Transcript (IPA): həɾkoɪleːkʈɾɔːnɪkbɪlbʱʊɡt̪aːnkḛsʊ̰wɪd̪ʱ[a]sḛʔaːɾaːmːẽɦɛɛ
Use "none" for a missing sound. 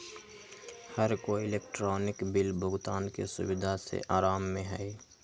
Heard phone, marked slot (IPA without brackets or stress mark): a